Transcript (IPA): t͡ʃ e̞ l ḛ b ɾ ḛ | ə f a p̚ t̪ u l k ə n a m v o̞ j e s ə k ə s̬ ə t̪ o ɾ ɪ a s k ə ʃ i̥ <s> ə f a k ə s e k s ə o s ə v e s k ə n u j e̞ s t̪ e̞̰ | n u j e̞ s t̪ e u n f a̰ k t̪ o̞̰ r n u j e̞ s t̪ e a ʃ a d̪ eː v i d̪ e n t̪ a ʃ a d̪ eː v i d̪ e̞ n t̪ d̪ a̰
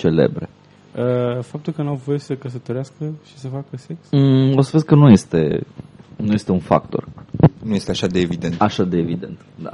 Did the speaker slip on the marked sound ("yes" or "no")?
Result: no